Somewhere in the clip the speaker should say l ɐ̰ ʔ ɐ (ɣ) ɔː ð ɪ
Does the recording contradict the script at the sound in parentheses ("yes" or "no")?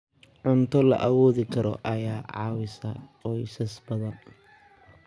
yes